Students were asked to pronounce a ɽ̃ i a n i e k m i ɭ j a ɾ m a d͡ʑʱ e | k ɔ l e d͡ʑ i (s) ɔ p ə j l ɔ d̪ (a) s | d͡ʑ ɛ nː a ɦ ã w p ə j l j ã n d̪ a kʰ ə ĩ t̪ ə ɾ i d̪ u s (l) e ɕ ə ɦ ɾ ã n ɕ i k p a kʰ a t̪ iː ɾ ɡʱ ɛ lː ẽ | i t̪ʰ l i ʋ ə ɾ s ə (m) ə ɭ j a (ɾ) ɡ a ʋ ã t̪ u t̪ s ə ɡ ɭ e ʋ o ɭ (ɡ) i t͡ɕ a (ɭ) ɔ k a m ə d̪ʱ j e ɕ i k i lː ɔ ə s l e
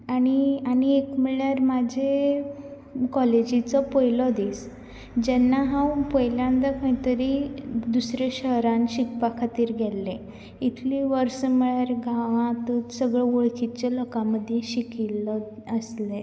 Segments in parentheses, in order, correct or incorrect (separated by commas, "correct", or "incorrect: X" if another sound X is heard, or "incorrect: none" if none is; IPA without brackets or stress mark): incorrect: t͡s, incorrect: i, incorrect: ɾ, correct, correct, incorrect: k, incorrect: l